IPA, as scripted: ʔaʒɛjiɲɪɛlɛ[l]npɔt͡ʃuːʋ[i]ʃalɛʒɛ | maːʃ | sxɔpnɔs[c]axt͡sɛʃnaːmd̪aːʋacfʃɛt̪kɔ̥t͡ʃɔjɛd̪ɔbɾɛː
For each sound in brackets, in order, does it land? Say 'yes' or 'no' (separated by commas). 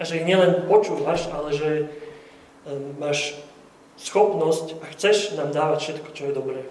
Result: no, no, yes